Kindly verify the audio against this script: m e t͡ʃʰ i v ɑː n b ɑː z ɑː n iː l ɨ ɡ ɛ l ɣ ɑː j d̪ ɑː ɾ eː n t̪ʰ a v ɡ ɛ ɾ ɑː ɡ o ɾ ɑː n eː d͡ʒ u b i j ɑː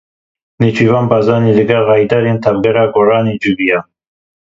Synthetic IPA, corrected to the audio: n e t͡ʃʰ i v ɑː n b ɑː z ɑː n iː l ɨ ɡ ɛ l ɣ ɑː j d̪ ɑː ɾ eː n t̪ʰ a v ɡ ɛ ɾ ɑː ɡ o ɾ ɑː n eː d͡ʒ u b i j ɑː